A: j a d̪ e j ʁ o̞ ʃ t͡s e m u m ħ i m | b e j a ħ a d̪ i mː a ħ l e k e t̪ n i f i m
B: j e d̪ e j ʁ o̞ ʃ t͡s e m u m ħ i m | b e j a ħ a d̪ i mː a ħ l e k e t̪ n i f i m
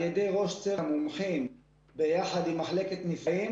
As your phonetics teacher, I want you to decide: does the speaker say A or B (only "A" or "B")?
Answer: B